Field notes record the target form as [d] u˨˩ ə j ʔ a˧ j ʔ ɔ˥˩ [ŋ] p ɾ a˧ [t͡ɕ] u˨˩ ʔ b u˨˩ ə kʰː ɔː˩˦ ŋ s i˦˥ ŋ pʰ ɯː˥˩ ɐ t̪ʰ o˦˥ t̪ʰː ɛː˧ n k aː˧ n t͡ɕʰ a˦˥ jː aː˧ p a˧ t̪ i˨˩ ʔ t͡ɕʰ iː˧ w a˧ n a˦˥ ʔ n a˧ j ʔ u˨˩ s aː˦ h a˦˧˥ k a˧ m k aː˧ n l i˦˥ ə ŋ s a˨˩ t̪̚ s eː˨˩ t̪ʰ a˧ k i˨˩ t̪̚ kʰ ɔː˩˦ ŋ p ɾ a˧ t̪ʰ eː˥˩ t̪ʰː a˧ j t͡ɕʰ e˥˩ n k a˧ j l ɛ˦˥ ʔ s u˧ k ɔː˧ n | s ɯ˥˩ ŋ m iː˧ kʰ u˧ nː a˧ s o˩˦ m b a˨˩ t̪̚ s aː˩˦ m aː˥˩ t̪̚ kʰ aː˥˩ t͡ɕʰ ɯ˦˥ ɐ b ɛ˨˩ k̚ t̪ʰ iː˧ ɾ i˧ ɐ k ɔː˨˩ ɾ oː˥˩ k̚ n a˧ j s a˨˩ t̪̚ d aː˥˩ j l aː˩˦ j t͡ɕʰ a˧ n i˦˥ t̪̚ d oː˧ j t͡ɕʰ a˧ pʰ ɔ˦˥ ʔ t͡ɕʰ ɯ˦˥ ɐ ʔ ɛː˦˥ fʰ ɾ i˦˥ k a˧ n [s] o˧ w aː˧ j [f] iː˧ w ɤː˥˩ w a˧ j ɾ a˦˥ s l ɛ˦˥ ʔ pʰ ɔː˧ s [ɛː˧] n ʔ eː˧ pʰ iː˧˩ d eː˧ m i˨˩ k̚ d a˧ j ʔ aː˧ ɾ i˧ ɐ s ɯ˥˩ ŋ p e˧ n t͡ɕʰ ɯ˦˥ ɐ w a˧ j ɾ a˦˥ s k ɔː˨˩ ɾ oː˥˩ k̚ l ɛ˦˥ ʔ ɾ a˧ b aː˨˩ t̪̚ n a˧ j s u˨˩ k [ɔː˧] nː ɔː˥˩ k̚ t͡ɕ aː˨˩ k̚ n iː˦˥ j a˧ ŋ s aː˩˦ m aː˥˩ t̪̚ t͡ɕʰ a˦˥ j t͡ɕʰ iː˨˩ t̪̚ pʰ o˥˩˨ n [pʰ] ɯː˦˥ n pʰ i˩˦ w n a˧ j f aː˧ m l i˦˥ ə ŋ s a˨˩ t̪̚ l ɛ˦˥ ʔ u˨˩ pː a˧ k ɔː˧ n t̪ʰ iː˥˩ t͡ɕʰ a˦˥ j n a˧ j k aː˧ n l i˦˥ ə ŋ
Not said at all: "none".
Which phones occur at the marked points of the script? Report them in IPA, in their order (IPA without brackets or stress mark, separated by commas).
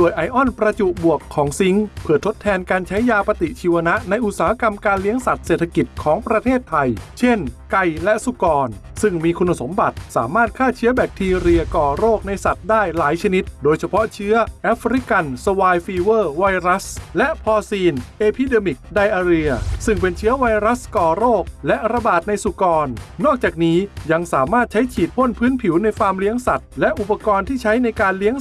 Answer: d, n, t͡ɕ, s, f, iː˧, ɔː˧, pʰ